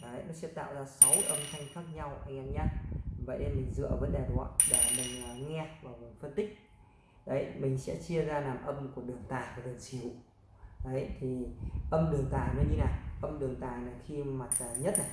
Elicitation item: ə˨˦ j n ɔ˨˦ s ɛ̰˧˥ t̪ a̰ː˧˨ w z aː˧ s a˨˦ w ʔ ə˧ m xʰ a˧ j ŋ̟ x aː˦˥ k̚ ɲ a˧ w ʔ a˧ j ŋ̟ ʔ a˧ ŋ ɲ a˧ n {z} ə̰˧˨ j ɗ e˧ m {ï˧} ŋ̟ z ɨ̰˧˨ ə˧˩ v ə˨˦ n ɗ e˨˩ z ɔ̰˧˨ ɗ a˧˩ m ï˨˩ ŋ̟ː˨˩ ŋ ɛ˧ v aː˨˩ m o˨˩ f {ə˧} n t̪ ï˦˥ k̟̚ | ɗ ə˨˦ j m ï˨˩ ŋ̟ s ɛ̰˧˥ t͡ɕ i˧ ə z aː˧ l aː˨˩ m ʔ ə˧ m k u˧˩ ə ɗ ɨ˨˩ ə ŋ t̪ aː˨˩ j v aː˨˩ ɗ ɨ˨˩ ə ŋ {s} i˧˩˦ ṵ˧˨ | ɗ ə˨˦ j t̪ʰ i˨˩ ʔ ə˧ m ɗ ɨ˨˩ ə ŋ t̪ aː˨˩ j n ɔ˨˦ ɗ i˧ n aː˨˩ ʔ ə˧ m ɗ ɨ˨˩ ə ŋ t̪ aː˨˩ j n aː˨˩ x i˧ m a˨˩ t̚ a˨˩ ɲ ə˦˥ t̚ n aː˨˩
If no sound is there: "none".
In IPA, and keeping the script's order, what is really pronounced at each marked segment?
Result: v, ï˨˩, ə˧, s

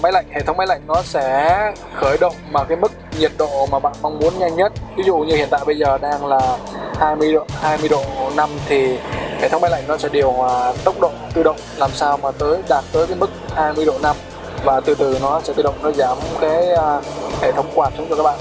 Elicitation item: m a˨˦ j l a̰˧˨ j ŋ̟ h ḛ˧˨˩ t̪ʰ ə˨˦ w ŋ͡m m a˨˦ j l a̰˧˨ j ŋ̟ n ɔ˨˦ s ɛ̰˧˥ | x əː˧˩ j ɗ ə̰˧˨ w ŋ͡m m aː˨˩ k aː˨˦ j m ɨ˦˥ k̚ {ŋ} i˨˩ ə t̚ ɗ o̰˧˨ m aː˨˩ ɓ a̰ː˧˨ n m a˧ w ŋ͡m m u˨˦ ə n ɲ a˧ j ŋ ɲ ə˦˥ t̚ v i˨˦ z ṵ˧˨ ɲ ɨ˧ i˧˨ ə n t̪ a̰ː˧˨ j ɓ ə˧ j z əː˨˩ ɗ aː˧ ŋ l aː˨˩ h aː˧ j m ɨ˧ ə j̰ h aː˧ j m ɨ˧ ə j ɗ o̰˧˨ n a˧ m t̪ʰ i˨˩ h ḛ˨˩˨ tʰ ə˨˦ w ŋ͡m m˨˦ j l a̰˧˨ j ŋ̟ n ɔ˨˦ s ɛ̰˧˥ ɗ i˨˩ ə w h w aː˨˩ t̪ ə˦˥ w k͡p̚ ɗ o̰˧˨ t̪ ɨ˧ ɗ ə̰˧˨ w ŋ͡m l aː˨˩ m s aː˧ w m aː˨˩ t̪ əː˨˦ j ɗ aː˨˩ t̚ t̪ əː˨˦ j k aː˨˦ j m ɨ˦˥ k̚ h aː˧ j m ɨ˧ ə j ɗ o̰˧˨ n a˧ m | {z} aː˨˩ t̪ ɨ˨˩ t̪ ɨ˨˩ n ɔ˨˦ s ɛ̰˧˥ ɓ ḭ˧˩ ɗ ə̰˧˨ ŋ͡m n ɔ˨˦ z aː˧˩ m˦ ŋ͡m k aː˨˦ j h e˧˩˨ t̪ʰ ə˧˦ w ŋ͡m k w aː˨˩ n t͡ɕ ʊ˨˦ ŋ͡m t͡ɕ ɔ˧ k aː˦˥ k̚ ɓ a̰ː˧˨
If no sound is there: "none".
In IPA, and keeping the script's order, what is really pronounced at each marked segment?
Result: ɲ, v

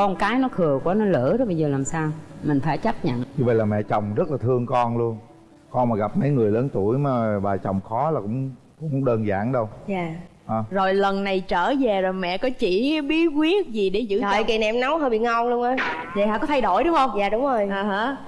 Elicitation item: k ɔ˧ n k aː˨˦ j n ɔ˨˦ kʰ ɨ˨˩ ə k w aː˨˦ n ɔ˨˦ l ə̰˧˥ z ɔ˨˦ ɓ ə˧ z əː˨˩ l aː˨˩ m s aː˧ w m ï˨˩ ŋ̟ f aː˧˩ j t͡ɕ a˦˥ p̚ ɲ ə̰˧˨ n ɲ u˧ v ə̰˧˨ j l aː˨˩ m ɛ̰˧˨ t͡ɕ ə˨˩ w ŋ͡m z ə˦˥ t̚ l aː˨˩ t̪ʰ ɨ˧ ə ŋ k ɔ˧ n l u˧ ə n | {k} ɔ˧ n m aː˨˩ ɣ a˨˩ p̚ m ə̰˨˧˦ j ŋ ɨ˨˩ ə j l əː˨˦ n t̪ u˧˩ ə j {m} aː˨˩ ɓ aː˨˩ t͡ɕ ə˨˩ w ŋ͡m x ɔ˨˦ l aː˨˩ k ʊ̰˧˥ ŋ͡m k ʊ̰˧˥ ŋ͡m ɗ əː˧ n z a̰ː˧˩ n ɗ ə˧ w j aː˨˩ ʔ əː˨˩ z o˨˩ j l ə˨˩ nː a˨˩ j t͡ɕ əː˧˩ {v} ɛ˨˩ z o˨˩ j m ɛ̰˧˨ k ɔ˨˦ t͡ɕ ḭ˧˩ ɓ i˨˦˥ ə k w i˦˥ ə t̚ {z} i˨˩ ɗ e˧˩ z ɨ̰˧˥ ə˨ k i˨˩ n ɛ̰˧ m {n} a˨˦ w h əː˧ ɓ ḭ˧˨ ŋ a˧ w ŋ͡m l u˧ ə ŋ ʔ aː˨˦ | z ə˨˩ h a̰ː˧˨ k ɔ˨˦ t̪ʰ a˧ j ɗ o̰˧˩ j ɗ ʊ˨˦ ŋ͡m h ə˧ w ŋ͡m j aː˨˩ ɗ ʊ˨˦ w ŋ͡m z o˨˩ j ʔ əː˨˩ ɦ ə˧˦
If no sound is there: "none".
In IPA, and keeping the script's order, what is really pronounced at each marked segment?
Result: k, m, z, z, n

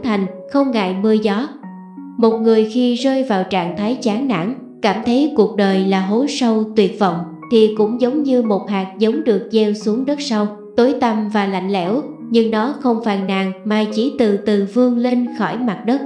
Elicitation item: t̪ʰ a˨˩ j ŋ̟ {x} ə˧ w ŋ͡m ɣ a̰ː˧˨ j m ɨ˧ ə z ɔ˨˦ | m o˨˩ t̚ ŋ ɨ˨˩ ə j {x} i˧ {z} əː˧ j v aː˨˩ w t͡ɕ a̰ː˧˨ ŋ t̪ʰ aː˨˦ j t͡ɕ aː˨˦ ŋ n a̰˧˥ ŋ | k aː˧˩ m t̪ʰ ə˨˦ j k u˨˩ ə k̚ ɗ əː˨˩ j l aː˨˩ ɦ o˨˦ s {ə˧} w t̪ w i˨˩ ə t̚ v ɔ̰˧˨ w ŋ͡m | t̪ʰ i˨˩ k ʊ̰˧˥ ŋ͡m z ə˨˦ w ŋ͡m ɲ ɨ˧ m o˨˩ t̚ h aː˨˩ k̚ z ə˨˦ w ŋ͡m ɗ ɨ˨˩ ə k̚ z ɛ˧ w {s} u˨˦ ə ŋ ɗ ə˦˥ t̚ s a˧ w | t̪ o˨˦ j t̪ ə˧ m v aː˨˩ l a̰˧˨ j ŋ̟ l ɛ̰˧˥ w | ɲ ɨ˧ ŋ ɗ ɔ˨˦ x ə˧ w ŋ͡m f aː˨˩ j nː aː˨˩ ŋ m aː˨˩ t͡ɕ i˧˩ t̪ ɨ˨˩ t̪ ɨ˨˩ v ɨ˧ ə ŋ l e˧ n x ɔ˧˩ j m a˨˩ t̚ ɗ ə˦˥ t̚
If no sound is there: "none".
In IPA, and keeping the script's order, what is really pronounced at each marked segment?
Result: x, x, z, ə˧, s

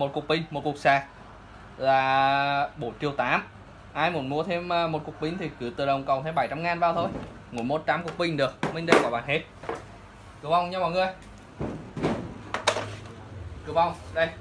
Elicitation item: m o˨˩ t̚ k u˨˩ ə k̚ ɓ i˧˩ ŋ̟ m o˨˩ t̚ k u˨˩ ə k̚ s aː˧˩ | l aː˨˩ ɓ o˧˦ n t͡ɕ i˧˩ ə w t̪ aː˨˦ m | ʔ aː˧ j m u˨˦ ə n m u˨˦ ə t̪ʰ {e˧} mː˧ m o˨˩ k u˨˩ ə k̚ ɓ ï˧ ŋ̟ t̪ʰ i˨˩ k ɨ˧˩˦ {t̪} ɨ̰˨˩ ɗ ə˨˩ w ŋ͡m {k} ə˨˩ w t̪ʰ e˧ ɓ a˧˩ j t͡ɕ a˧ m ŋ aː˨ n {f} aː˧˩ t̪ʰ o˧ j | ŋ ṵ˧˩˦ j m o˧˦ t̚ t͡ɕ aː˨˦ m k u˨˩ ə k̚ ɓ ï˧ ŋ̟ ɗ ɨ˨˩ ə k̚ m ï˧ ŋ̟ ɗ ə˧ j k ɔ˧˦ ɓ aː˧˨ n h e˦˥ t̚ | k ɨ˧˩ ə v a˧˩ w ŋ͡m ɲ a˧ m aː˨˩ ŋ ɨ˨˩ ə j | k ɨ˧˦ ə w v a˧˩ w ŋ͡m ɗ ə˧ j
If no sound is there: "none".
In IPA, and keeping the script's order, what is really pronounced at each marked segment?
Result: e˧, t̪, k, v

